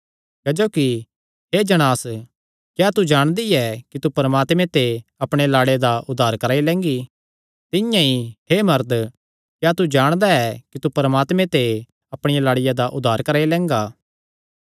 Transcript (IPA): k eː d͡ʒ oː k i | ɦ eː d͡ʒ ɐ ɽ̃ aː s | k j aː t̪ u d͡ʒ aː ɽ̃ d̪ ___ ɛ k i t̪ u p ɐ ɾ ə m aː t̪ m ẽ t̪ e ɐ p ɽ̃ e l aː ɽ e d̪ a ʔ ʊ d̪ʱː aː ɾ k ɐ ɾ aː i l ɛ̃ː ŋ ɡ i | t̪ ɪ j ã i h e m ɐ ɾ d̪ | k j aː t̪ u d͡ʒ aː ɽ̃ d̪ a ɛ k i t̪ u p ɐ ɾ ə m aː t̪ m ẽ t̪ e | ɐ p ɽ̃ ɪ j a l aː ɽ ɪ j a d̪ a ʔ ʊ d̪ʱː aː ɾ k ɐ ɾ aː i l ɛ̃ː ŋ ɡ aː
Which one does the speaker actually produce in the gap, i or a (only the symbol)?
i